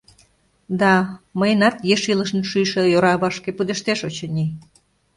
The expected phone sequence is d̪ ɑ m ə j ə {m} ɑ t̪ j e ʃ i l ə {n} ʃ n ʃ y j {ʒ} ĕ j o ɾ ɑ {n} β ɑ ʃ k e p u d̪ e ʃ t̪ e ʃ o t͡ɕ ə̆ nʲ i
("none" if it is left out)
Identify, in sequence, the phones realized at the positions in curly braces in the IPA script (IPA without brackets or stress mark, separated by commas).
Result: n, none, ʃ, none